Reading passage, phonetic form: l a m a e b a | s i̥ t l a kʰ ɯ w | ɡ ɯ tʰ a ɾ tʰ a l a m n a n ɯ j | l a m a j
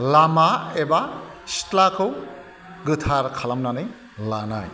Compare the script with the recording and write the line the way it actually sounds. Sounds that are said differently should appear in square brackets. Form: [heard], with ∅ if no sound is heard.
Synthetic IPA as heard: l a m a e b a | s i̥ t l a kʰ ɯ w | ɡ ɯ tʰ a ɾ [kʰ] a l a m n a n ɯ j | l a [n] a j